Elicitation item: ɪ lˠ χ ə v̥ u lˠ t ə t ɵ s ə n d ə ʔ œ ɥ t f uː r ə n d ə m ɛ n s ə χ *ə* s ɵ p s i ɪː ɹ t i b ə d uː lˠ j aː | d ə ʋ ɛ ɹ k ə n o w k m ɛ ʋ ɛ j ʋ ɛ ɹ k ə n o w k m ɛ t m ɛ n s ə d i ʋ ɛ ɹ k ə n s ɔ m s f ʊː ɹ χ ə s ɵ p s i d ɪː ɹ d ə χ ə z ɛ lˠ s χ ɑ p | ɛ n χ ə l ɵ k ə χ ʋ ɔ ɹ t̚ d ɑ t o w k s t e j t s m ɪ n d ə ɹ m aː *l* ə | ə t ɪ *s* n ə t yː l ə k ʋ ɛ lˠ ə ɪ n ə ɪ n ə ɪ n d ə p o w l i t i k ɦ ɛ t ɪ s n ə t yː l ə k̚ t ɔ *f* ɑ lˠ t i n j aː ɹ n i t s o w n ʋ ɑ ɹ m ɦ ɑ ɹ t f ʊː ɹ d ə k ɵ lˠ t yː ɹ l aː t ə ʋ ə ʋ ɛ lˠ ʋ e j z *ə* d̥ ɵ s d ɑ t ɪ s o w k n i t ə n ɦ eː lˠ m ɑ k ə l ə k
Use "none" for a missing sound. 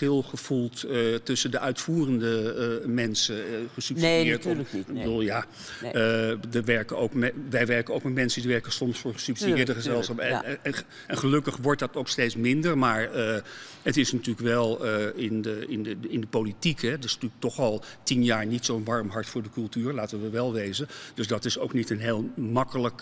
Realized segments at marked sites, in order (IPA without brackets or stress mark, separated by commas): ə, ɹ, s, χ, ə